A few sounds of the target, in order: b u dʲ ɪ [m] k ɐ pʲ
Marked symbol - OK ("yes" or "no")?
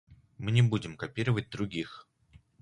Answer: yes